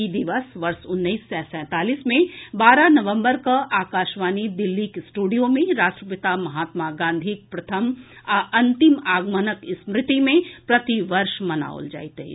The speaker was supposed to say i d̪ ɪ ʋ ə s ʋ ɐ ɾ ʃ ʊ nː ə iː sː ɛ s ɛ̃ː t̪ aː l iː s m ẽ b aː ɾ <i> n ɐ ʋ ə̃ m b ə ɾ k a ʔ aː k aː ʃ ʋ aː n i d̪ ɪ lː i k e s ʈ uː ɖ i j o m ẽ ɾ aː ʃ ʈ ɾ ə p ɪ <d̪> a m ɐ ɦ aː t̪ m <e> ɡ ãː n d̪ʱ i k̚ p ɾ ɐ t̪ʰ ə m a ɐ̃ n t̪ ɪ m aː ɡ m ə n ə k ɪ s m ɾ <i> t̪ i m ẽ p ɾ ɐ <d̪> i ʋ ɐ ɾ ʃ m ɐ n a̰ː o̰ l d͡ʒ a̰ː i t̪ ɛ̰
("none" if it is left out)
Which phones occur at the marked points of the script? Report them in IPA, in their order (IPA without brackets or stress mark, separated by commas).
a, t̪, a, ɪ, t̪